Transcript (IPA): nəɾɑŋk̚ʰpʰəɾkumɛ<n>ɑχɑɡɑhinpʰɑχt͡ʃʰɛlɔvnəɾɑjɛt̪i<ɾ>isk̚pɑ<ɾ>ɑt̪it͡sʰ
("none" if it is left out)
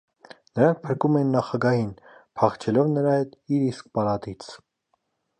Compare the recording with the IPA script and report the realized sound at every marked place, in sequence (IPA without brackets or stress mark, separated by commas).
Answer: nː, ɾ, l